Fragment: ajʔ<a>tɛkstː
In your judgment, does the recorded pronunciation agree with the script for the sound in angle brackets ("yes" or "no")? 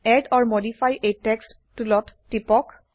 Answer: no